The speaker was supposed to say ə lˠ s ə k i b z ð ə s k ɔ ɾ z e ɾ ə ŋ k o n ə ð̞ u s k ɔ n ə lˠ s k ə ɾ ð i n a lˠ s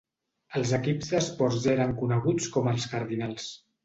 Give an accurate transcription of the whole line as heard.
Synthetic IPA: ə lˠ z ə k i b z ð ə s p ɔ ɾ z e ɾ ə ŋ k u n ə ɣ̞ u t͡s k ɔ m ə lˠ s k ə ɾ ð i n a lˠ s